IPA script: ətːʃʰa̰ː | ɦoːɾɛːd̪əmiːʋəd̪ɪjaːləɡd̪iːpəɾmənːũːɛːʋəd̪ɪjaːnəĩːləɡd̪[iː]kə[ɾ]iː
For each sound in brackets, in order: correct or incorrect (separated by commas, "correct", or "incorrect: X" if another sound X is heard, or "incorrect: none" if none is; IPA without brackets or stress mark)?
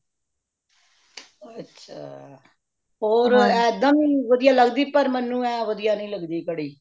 correct, incorrect: ɽ